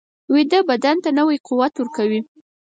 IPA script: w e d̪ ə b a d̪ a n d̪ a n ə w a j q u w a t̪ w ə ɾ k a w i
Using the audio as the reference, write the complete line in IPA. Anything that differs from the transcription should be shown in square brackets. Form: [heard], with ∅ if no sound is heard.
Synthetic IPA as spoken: w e d̪ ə b a d̪ a n [t̪] a n ə w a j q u w a t̪ w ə ɾ k a w i